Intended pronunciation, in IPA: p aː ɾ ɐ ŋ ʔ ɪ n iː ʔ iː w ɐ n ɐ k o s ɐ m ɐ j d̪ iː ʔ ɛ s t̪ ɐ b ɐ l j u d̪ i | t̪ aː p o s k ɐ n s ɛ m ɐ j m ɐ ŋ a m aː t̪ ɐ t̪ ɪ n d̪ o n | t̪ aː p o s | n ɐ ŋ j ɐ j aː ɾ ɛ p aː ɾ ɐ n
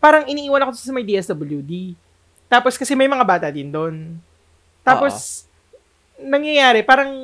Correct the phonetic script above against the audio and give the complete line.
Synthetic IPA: p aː ɾ ɐ ŋ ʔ ɪ n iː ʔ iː w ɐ n ɐ k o s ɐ m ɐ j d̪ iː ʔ ɛ s d̪ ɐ b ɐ l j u d̪ i | t̪ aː p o s k ɐ s ɛ m ɐ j m ɐ ŋ a b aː t̪ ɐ d̪ ɪ n d̪ o n | t̪ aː p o s | n ɐ ŋ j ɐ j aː ɾ ɛ p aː ɾ ɐ ŋ